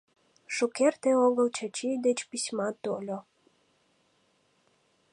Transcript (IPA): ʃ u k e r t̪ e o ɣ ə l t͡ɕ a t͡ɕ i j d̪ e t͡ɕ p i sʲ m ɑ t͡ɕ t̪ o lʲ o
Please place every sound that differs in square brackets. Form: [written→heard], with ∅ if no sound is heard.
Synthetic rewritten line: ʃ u k e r t̪ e o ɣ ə l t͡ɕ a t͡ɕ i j d̪ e t͡ɕ p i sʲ m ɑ [t͡ɕ→∅] t̪ o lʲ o